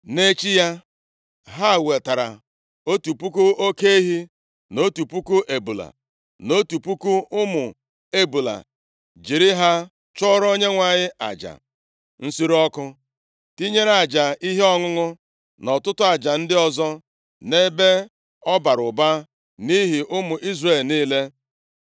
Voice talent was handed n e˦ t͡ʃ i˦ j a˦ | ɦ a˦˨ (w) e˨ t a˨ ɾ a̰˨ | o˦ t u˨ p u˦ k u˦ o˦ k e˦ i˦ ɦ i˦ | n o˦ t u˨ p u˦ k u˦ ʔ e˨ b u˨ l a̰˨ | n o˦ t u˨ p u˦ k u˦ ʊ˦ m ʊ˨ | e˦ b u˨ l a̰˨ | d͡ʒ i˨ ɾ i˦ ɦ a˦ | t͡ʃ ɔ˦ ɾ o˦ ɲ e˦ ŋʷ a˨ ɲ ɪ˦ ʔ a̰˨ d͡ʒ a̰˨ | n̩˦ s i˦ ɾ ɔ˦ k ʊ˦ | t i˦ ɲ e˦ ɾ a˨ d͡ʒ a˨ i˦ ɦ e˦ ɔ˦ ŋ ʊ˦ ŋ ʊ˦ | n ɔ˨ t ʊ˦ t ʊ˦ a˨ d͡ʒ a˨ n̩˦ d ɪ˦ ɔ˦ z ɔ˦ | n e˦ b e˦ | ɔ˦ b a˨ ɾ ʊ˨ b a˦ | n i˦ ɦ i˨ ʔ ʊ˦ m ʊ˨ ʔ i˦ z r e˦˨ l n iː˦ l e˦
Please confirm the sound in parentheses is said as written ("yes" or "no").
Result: yes